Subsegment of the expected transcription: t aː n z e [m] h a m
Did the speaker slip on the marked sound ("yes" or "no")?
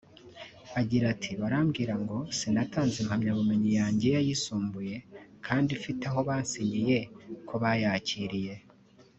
no